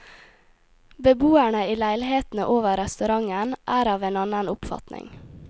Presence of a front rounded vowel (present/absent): absent